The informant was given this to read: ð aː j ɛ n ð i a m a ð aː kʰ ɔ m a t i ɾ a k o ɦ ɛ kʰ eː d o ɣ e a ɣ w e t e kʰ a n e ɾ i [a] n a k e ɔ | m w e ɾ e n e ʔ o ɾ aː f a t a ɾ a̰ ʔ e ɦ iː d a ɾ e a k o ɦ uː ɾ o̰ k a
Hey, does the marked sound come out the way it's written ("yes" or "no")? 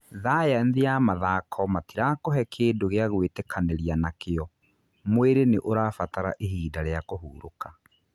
yes